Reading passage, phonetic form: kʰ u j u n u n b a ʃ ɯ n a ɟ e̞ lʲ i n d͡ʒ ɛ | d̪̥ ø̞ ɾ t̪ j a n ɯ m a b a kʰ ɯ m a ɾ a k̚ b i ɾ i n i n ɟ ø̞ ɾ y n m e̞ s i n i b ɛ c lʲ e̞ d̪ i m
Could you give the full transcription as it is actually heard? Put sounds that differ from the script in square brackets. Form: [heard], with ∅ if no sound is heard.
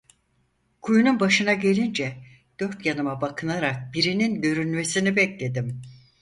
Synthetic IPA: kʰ u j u n u n b a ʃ ɯ n a ɟ e̞ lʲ i n d͡ʒ ɛ | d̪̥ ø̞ ɾ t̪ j a n ɯ m a b a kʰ ɯ [n] a ɾ a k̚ b i ɾ i n i n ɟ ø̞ ɾ y n m e̞ s i n i b ɛ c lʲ e̞ d̪ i m